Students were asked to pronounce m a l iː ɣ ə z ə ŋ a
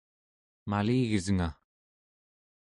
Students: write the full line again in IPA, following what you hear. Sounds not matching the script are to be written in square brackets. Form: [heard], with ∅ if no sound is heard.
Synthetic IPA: m a l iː ɣ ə z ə ŋ a

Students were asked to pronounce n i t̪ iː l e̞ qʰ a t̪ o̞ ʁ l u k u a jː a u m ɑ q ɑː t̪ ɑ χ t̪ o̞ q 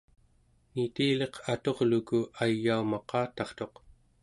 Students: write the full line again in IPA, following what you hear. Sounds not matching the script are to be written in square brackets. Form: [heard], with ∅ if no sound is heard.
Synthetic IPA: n i t̪ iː l e̞ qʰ a t̪ o̞ ʁ l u k u a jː a u m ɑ q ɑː t̪ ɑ χ t̪ o̞ q

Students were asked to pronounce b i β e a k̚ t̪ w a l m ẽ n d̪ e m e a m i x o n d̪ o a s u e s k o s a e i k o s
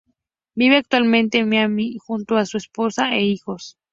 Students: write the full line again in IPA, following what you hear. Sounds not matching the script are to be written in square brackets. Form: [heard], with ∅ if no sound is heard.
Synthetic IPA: b i β e a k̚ t̪ w a l m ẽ n [t̪] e m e a m i x [u] n [t̪] o a s u e s [p] o s a e i [x] o s

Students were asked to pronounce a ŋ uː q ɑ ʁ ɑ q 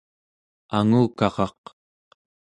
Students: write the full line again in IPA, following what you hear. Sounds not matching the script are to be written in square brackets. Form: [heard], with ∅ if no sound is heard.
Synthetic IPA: a ŋ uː [k] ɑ ʁ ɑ q

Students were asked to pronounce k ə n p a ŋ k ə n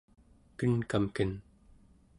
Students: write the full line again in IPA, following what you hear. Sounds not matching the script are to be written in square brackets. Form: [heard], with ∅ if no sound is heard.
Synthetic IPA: k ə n [k] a [m] k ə n

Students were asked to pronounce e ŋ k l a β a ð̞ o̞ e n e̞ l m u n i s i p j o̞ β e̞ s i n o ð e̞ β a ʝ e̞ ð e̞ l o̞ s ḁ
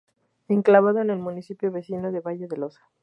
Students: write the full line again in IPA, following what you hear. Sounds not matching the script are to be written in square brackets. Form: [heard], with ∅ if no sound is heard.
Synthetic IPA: e ŋ k l a β a ð̞ o̞ e n e̞ l m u n i s i p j o̞ β e̞ s i n o ð e̞ β a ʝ e̞ ð e̞ l o̞ s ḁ

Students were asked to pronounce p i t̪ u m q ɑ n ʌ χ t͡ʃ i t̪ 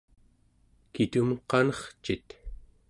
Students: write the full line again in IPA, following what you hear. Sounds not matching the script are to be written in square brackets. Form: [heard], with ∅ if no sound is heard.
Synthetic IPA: [k] i t̪ u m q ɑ n ʌ χ t͡ʃ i t̪

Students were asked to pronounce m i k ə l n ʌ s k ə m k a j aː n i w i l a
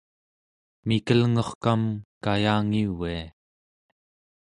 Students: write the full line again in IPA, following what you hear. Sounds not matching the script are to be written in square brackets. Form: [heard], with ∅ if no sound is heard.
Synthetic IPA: m i k ə l [ŋ] ʌ [χ] k [a] m k a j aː [ŋ] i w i [∅] a

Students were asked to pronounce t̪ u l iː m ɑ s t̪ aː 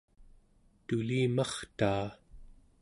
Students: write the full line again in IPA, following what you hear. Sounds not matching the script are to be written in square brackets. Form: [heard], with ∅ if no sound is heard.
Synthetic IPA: t̪ u l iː m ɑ [χ] t̪ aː

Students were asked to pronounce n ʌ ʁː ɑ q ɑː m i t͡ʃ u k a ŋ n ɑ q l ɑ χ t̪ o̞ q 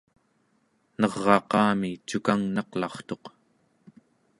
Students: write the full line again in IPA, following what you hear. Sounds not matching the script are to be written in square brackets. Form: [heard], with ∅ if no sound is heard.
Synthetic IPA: n ʌ ʁː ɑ q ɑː m i t͡ʃ u k a ŋ n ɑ q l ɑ χ t̪ o̞ q

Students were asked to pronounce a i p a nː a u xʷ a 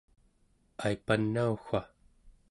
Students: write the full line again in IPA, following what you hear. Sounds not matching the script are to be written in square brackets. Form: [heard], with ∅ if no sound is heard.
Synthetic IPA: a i p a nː a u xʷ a

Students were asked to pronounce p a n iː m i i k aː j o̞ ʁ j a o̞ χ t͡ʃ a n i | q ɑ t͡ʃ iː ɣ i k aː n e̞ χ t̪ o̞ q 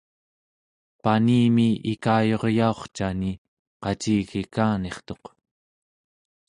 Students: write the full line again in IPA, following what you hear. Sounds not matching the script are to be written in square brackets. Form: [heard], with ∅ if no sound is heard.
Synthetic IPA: p a n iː m i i k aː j o̞ ʁ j a o̞ χ t͡ʃ a n i | q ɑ t͡ʃ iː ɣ i k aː n e̞ χ t̪ o̞ q

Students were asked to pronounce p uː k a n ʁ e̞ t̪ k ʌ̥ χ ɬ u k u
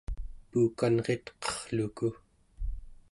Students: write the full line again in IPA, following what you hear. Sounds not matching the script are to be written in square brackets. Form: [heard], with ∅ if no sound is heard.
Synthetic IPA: p uː k a n ʁ e̞ t̪ [q] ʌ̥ χ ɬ u k u

